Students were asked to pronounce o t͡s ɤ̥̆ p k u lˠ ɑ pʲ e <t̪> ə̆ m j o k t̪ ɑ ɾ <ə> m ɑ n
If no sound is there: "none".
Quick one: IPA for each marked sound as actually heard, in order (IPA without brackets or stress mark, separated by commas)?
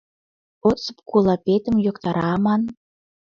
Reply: t̪, ɑ